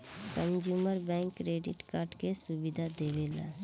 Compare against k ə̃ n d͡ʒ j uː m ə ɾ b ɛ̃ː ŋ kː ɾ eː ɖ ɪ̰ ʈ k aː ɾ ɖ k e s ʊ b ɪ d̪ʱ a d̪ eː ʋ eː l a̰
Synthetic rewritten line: k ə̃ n d͡ʒ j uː m ə ɾ b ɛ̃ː ŋ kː ɾ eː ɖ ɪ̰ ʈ k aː ɾ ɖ k e s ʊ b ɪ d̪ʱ a d̪ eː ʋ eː l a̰